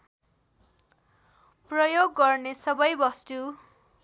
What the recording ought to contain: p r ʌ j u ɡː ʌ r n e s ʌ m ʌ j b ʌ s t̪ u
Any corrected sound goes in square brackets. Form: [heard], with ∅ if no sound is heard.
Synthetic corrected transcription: p r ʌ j [o] ɡː ʌ r n e s ʌ [b] ʌ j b ʌ s t̪ u